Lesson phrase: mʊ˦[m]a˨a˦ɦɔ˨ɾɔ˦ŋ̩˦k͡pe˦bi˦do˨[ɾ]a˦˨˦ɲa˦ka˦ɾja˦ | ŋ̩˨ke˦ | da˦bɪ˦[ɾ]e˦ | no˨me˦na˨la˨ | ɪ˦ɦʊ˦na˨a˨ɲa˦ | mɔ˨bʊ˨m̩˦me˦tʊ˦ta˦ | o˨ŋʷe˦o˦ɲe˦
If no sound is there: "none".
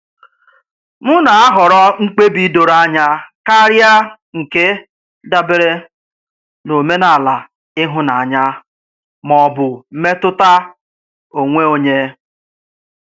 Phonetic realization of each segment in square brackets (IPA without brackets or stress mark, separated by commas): n, ɾ, ɾ